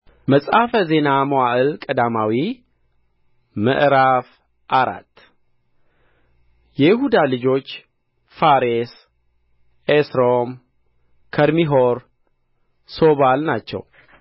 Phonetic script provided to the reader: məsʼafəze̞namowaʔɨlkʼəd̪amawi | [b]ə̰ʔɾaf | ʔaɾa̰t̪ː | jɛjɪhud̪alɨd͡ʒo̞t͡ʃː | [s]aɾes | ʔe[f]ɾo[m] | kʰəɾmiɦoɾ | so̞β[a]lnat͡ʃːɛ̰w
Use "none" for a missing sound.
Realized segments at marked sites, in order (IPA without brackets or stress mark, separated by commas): m, f, s, m, a